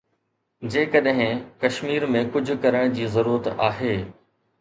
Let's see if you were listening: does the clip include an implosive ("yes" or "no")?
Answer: yes